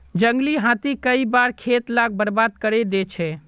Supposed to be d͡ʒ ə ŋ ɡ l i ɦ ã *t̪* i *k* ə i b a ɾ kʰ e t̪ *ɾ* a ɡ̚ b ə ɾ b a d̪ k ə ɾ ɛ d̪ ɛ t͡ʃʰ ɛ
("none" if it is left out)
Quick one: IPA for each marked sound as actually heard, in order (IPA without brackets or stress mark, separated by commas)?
t̪, k, l